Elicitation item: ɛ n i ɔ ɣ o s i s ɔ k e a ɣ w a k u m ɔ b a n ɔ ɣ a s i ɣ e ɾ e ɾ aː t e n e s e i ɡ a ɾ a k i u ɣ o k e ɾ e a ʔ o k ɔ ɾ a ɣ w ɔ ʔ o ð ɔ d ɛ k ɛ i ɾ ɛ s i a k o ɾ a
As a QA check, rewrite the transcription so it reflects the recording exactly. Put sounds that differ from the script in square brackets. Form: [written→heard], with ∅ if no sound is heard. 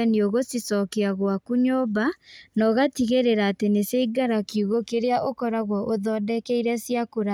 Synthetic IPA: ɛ n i [ɔ→o] ɣ o s i s ɔ k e a ɣ w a k u [m→ɲ] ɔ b a n ɔ ɣ a [s→t] i ɣ e ɾ e ɾ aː t e n e s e i ɡ a ɾ a k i u ɣ o k e ɾ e a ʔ o k ɔ ɾ a ɣ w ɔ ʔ o ð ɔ d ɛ k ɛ i ɾ ɛ s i a k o ɾ a